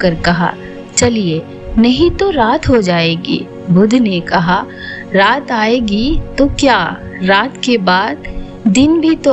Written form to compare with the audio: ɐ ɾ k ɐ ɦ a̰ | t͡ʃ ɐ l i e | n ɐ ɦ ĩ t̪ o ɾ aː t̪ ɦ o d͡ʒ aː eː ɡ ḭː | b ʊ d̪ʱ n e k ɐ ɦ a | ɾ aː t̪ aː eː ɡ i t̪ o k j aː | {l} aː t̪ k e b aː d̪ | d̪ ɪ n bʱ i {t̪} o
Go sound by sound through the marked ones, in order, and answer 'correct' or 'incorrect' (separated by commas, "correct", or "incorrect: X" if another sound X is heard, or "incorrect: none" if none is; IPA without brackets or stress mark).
incorrect: ɾ, correct